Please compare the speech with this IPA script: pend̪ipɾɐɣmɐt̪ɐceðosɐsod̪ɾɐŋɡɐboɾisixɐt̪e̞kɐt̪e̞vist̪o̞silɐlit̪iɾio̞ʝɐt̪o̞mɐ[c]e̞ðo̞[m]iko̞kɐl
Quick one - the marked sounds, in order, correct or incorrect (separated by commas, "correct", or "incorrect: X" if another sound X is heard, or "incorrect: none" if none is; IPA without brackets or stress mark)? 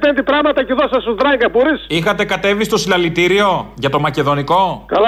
correct, incorrect: n